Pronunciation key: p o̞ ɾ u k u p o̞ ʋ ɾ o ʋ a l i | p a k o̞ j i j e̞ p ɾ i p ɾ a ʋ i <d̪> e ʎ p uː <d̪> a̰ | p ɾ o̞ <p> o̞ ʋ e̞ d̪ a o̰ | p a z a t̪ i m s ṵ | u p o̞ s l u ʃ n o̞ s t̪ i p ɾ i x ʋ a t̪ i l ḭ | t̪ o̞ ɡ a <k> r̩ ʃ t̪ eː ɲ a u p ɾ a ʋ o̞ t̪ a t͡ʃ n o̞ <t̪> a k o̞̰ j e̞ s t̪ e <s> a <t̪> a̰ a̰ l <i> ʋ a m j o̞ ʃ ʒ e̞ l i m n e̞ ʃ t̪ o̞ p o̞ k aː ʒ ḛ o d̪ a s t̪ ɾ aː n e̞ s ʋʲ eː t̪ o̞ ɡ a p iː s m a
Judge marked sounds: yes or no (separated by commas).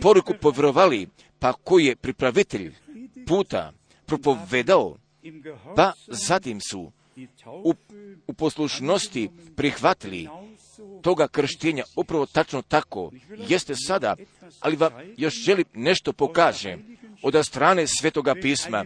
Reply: no, no, yes, yes, yes, yes, no, yes